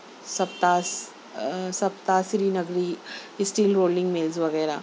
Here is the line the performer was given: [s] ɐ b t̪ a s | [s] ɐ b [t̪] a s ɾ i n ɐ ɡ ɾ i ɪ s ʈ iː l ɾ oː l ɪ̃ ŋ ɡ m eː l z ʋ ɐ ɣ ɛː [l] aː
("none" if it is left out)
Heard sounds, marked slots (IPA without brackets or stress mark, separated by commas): s, s, t̪, ɾ